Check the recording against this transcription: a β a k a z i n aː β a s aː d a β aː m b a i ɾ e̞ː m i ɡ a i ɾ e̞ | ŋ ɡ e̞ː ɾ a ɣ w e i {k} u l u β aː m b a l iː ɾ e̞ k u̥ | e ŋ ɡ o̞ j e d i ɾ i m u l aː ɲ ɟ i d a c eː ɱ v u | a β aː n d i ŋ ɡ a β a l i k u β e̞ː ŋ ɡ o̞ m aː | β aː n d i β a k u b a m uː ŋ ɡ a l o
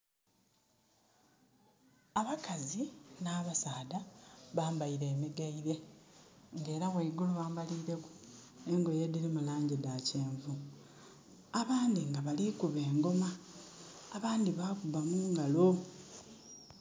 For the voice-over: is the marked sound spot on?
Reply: no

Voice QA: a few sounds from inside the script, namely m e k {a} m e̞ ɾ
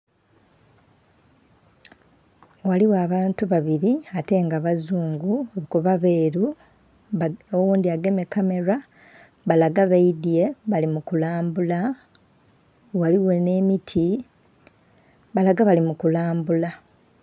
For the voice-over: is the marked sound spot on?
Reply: yes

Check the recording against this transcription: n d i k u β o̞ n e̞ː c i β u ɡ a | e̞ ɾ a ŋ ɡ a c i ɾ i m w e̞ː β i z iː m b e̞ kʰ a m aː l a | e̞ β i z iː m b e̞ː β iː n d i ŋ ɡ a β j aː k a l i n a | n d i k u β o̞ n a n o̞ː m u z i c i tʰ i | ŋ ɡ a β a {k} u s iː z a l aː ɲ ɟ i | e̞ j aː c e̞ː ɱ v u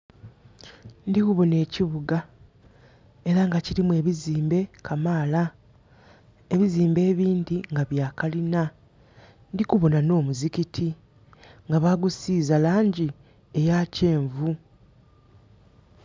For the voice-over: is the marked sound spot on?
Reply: no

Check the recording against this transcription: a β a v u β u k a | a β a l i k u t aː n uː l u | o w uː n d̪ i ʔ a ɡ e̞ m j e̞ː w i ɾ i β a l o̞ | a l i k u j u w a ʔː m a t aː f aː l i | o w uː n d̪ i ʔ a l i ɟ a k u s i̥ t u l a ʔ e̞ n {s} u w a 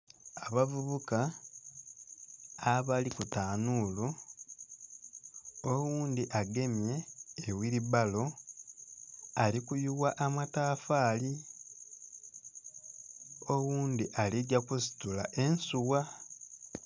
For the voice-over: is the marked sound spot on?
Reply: yes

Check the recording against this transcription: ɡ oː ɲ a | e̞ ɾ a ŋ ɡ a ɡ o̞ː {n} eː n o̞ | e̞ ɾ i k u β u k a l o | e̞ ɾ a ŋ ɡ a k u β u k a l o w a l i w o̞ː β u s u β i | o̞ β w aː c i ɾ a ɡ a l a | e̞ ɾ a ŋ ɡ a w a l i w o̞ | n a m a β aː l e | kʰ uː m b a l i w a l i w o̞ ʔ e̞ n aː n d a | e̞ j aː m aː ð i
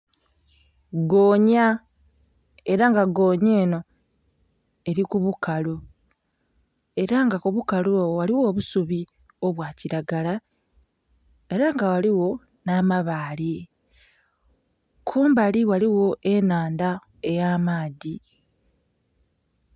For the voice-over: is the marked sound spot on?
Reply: no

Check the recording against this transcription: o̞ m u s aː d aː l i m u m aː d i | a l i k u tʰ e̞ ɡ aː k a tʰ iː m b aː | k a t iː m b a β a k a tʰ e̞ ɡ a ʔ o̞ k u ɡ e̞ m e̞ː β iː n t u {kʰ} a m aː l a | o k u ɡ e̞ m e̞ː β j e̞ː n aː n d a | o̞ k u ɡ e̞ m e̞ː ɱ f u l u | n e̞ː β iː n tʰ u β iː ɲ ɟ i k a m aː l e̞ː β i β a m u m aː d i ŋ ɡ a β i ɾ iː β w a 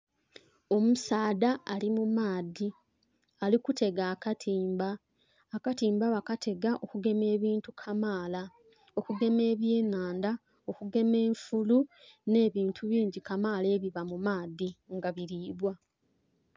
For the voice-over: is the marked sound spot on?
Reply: yes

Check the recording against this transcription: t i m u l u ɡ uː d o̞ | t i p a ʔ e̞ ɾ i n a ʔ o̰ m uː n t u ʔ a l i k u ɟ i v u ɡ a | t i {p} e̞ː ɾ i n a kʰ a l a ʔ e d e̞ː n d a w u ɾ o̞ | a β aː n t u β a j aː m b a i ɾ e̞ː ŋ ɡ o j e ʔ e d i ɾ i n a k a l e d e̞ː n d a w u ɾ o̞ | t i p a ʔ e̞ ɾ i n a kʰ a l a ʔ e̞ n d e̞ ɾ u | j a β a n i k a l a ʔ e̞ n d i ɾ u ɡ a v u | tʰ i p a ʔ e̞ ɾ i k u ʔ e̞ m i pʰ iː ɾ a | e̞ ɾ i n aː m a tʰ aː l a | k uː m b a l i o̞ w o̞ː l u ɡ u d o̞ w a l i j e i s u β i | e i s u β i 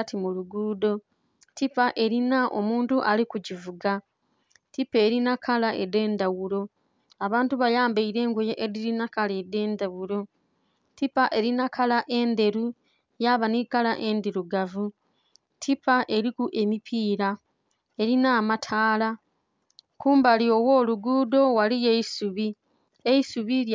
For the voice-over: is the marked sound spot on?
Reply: yes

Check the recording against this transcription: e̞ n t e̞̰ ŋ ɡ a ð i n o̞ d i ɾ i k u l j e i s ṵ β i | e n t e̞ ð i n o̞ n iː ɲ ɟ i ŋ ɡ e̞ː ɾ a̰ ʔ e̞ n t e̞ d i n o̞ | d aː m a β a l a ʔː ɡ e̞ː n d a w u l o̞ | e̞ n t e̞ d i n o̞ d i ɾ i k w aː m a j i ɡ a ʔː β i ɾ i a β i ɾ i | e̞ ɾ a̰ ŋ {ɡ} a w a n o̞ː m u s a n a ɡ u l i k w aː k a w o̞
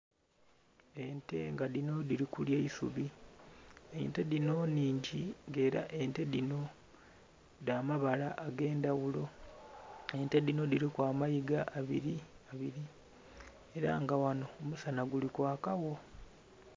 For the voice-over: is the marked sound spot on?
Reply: yes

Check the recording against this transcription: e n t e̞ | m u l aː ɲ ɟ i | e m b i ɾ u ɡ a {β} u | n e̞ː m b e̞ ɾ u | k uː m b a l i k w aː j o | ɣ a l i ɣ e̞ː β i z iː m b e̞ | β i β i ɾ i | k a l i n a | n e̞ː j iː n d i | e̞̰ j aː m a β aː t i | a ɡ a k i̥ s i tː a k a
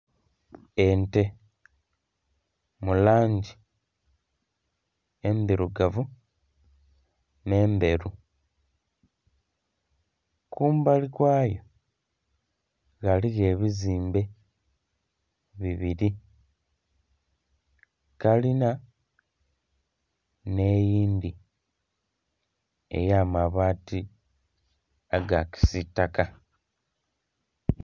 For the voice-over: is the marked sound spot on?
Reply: no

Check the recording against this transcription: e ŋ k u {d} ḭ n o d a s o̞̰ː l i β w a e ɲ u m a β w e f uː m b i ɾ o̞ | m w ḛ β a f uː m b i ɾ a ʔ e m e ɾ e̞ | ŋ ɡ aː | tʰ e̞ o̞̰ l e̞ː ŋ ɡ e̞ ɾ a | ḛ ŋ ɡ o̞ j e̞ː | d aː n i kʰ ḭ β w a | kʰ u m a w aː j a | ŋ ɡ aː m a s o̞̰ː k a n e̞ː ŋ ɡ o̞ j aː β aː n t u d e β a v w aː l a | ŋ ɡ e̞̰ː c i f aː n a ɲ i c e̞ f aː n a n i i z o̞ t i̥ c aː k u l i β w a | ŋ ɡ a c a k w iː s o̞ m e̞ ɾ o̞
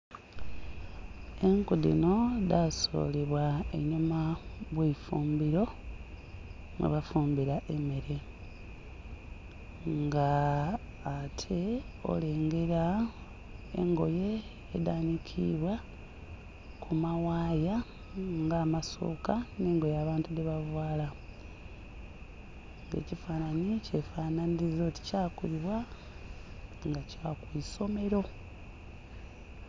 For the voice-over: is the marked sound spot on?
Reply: yes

